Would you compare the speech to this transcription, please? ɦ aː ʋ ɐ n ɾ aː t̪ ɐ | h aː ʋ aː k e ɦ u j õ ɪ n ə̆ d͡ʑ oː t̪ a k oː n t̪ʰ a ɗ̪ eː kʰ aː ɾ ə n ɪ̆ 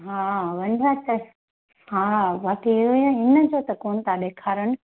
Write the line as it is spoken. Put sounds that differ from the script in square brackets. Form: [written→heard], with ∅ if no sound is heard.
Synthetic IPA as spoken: ɦ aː ʋ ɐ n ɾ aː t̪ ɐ | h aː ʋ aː k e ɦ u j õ ɪ n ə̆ d͡ʑ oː t̪ [a→ɐ] k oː n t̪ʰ a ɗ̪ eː kʰ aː ɾ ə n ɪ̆